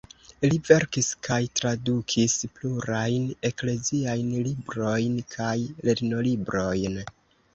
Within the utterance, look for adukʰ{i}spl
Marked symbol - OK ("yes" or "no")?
yes